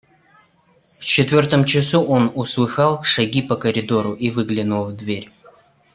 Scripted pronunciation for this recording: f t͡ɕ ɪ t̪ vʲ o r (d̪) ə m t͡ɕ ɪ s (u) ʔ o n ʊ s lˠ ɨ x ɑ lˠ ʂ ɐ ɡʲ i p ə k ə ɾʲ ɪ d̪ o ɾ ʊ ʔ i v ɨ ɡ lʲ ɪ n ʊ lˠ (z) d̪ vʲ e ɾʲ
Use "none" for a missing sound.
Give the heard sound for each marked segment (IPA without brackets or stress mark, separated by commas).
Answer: t̪, u, v